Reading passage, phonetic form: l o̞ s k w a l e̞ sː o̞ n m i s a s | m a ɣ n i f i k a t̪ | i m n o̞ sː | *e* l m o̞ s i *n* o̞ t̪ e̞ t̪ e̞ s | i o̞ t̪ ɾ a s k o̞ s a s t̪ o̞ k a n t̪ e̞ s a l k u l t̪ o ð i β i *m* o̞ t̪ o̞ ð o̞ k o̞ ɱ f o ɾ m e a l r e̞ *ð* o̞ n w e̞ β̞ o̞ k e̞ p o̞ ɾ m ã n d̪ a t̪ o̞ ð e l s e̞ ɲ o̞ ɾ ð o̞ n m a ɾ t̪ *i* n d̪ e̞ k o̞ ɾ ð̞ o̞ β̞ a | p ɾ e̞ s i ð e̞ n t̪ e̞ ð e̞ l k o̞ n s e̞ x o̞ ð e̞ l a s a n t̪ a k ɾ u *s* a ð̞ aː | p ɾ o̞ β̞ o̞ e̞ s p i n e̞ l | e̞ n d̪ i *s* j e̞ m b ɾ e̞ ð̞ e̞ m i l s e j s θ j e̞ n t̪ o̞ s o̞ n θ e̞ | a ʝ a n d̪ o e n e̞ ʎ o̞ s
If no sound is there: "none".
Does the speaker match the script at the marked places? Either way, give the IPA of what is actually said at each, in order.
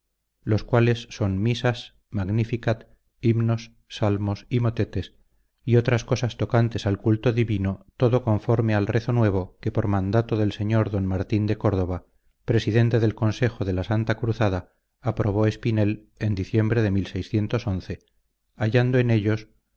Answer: a, m, n, θ, i, θ, θ

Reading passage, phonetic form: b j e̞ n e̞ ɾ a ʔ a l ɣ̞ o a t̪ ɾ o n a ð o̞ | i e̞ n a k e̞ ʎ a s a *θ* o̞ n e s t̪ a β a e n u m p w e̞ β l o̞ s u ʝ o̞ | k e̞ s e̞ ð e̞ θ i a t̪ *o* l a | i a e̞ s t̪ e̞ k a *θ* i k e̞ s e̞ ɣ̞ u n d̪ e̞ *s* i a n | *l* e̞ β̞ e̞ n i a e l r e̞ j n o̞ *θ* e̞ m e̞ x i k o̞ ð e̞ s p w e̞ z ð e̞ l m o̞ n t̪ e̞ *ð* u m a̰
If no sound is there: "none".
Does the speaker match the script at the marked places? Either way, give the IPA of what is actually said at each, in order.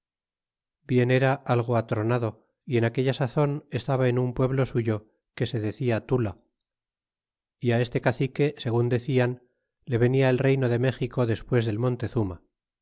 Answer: θ, u, θ, θ, l, ð, θ

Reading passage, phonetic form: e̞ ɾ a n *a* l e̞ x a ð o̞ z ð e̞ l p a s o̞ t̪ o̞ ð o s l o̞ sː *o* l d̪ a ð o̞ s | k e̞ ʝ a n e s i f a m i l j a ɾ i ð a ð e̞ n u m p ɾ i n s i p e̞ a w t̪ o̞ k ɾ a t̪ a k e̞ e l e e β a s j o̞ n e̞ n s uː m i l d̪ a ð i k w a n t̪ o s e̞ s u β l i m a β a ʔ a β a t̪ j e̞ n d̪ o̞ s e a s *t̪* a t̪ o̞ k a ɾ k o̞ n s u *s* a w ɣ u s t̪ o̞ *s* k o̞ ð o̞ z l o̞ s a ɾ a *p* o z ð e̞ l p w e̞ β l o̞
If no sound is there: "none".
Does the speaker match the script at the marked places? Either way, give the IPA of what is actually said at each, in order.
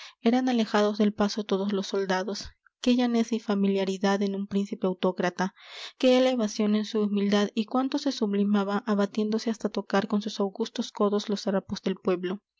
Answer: a, o, t̪, s, s, p

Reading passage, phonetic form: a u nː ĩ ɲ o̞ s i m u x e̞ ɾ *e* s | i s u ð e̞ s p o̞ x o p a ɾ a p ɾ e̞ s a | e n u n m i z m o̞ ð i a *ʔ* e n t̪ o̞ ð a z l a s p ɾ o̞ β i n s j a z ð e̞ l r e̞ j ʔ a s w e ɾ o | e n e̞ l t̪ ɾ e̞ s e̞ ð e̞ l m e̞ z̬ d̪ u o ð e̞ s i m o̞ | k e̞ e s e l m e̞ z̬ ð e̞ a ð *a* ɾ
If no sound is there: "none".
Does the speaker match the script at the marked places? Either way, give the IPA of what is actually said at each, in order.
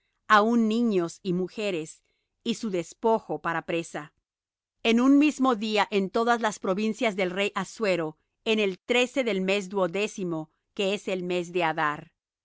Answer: e, ʔ, a

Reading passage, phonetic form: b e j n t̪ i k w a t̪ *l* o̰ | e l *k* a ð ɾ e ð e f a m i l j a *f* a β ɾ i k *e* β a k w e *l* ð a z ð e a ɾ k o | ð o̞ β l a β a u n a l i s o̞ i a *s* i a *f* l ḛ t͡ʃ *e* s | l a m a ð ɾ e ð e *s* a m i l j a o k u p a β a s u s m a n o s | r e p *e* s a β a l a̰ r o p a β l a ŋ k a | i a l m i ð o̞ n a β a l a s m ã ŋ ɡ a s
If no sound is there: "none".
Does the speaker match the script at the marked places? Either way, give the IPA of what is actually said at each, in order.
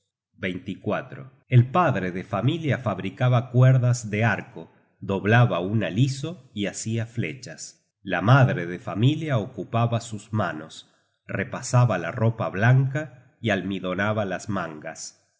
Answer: ɾ, p, f, a, ɾ, s, f, a, f, a

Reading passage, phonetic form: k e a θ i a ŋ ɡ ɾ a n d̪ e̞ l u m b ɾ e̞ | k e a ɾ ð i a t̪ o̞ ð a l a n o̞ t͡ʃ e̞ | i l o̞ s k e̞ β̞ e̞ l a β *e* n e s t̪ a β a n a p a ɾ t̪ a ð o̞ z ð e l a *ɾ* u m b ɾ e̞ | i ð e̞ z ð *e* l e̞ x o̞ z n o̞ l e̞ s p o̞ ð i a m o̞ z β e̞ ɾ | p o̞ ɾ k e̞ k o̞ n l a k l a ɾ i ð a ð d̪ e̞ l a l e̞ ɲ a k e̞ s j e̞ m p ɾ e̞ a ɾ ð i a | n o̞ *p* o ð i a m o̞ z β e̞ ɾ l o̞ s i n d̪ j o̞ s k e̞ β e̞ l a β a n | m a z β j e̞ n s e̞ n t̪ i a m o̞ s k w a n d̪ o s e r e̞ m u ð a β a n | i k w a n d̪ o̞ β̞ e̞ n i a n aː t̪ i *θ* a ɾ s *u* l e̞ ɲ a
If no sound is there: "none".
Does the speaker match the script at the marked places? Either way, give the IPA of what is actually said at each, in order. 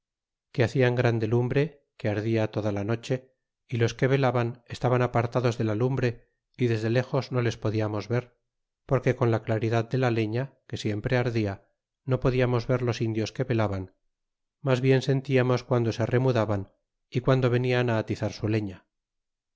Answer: a, l, e, p, θ, u

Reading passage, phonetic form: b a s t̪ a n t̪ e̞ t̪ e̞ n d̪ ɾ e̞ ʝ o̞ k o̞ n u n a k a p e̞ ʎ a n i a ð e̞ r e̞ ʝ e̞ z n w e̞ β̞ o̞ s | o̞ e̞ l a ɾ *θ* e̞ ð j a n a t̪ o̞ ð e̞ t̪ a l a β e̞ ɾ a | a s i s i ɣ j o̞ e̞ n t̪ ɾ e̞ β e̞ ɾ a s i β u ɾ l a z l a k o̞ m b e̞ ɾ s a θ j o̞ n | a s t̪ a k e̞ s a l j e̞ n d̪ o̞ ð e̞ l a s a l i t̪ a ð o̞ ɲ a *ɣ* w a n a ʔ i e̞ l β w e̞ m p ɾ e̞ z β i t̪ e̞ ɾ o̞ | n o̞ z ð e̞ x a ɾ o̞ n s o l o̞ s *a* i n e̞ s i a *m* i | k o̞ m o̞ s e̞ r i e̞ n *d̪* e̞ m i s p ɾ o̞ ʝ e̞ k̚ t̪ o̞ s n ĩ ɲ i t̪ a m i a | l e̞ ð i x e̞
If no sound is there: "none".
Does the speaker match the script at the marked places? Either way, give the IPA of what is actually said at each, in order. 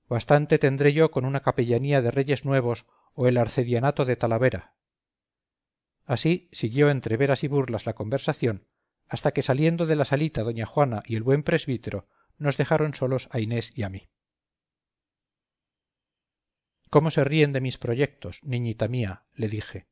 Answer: θ, x, a, m, d̪

